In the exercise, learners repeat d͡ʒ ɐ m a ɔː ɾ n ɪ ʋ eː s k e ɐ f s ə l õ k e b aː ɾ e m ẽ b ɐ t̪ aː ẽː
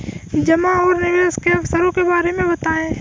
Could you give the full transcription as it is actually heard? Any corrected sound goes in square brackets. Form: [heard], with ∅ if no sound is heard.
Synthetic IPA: d͡ʒ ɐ m a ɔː ɾ n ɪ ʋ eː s k e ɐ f s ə [ɾ] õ k e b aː ɾ e m ẽ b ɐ t̪ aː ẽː